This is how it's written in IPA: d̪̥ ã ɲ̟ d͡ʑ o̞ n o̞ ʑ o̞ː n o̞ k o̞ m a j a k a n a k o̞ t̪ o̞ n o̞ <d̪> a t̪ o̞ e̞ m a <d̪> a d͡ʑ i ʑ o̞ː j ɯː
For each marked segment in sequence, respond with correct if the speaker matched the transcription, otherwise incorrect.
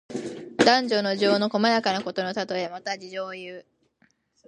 incorrect: t̪, incorrect: t̪

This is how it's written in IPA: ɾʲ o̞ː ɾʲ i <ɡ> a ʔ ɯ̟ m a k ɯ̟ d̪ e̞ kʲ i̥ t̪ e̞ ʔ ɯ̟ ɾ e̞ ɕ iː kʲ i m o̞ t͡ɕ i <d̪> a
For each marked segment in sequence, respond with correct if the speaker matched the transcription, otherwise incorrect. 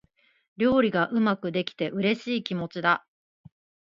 correct, correct

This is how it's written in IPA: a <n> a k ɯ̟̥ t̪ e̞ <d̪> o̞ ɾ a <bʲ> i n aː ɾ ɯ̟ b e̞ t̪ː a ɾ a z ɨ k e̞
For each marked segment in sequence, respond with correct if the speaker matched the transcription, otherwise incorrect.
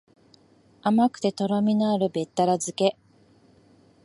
incorrect: m, incorrect: t̪, incorrect: mʲ

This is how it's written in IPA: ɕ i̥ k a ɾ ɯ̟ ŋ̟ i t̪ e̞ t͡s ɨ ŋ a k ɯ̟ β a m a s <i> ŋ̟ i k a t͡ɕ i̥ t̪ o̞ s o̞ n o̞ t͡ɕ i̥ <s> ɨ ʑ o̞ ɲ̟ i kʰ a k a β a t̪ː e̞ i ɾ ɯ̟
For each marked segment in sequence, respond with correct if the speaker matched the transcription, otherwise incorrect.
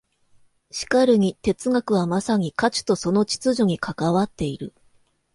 incorrect: a, incorrect: t͡s

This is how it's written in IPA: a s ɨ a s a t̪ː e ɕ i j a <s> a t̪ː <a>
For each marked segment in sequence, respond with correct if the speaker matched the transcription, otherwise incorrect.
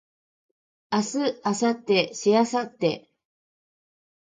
correct, incorrect: e

